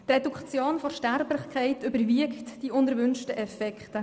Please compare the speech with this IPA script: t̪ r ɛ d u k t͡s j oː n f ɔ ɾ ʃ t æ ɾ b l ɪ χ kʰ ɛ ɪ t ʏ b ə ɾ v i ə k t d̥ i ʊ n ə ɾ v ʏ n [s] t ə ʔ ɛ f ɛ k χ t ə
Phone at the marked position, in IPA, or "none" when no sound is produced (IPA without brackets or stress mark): ʃ